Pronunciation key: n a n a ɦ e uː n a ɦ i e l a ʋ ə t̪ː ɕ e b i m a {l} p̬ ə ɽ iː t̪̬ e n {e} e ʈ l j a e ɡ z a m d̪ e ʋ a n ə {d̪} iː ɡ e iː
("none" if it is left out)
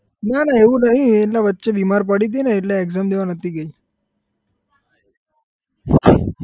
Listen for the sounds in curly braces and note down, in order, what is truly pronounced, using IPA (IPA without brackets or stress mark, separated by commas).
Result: ɾ, a, t̪